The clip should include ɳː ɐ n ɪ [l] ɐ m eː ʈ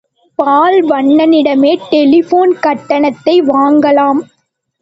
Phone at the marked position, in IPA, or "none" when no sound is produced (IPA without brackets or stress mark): ɽ